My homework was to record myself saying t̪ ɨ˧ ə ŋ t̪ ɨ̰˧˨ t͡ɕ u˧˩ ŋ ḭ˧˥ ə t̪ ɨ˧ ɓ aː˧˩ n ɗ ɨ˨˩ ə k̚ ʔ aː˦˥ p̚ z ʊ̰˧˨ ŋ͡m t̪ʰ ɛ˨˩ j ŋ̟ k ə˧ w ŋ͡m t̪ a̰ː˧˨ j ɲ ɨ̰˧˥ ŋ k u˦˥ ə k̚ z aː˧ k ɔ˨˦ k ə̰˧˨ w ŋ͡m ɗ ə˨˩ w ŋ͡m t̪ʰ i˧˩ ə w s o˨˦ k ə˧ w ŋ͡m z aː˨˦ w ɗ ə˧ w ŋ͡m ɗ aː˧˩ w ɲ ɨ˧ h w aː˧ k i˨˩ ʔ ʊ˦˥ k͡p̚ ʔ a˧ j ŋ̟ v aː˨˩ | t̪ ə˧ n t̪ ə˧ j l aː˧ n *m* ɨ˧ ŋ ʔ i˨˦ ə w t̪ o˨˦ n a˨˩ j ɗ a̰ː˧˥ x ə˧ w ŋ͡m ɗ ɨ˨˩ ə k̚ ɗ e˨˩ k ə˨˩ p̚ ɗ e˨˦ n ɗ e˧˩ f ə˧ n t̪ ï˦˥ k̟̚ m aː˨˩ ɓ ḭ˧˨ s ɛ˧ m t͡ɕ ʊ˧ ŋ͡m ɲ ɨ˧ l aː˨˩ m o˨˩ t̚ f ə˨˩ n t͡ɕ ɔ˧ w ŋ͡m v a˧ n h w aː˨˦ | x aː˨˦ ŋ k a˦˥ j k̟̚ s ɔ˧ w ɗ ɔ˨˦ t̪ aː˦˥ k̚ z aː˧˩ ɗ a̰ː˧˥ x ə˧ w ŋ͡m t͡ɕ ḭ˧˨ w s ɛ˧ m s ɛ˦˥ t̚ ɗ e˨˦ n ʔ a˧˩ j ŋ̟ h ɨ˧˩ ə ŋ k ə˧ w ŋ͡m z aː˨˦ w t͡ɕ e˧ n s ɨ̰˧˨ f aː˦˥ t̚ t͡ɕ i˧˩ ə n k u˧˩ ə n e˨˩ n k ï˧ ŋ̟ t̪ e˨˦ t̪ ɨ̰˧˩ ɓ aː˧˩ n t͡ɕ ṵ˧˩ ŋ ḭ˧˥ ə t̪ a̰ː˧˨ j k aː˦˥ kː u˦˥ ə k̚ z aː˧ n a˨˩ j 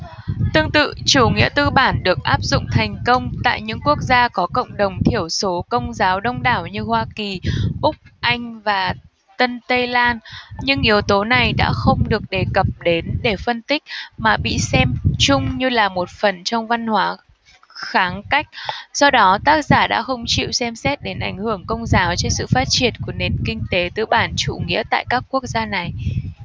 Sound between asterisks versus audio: incorrect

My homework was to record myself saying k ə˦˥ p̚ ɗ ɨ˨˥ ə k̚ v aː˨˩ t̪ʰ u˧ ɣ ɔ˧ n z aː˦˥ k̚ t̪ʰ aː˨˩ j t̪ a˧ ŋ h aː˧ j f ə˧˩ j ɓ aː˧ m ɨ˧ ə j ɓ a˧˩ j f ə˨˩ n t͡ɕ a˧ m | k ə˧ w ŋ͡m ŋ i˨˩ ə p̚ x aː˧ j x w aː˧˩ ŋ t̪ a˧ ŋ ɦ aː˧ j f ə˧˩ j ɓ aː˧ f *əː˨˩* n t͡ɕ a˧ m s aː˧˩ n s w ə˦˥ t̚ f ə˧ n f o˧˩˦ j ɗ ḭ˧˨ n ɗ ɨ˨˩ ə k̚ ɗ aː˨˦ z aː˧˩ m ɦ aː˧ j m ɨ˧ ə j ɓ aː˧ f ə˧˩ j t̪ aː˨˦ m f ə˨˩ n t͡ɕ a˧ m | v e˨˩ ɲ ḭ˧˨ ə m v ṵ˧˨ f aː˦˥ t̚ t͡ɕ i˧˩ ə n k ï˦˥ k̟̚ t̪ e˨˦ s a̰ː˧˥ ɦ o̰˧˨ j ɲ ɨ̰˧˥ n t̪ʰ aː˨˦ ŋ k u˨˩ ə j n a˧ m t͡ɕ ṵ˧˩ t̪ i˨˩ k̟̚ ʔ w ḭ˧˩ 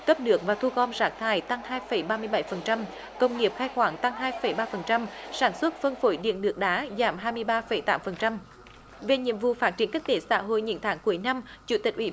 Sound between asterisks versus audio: incorrect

